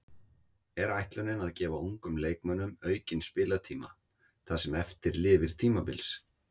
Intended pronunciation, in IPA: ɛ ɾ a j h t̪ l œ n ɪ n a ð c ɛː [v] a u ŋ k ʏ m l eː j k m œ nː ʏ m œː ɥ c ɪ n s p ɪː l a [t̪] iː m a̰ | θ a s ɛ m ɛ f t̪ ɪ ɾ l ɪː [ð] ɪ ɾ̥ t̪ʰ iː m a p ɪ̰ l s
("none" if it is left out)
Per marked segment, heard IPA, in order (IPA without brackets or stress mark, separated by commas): v, t̪ʰ, v